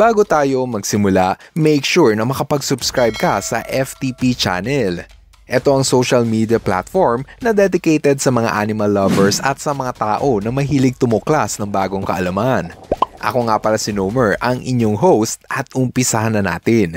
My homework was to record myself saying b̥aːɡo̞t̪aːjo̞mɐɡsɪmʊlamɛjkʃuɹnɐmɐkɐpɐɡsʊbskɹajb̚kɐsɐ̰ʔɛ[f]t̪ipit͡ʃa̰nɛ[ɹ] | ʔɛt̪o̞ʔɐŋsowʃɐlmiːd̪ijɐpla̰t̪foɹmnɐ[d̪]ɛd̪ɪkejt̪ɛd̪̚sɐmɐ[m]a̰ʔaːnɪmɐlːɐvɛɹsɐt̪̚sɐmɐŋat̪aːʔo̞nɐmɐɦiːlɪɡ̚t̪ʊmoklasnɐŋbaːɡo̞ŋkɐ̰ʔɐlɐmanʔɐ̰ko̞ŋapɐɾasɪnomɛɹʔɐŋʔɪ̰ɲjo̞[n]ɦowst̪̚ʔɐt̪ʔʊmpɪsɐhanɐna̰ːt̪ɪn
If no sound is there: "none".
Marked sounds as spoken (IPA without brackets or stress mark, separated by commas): f, l, d̪, ŋ, ŋ